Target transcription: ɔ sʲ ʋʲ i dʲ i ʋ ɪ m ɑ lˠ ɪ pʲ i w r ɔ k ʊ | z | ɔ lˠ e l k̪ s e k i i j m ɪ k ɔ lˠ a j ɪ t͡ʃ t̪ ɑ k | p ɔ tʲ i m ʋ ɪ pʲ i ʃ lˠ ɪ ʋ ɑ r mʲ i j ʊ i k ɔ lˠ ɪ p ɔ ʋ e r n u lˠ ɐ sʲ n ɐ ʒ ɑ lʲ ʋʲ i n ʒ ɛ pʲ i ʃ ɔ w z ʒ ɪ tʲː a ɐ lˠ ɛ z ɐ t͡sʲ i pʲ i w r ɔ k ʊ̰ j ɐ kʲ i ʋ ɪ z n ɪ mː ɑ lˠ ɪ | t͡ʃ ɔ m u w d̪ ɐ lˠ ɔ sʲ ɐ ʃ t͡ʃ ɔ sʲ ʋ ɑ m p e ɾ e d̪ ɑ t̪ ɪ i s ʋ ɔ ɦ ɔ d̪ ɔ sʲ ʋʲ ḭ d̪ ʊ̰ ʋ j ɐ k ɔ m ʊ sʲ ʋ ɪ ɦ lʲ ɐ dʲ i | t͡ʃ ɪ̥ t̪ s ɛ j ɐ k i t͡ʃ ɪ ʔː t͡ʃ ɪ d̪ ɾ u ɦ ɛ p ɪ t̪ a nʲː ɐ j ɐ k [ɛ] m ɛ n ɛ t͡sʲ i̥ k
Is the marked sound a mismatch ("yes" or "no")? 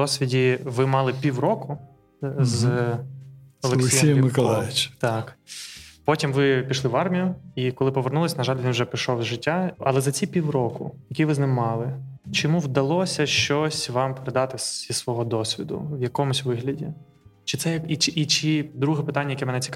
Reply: no